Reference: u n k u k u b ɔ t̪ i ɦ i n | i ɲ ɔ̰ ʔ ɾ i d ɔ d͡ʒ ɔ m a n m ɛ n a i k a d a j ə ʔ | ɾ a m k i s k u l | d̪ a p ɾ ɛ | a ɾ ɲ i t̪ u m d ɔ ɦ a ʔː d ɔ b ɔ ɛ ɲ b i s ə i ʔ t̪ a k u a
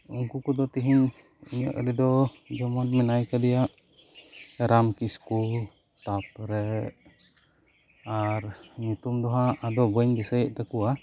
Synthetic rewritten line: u ŋ k u k u d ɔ t̪ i ɦ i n | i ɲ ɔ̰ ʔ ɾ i d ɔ d͡ʒ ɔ m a n m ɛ n a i k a d i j a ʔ | ɾ a m k i s k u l | t̪ a p ɾ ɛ | a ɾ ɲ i t̪ u m d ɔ ɦ a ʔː d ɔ b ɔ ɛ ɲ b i s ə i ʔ t̪ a k u a